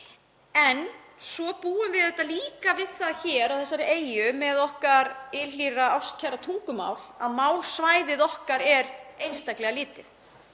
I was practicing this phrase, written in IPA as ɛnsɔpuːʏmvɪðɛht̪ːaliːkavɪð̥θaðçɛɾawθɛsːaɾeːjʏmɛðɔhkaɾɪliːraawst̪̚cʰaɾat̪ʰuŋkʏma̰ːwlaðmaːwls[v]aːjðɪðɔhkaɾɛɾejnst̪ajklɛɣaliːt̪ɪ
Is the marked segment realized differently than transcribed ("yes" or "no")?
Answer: no